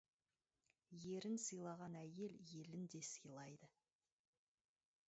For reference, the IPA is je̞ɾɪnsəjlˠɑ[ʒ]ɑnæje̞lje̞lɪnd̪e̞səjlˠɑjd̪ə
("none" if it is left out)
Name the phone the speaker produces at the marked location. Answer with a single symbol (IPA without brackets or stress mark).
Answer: ʁ